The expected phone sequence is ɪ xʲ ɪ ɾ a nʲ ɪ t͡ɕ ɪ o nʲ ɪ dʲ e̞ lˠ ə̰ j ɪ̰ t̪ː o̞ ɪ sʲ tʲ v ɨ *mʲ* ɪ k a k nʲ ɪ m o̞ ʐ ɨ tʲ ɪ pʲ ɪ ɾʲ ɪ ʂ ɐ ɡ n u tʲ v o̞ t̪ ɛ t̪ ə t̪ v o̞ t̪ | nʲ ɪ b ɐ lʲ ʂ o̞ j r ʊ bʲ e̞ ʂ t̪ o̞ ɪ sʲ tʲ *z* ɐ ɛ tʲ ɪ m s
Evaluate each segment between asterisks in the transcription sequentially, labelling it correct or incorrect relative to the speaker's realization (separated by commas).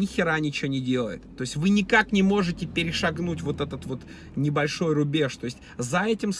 incorrect, correct